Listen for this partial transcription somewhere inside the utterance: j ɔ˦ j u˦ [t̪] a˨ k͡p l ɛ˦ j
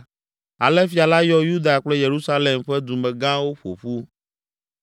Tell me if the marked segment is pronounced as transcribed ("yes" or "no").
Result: no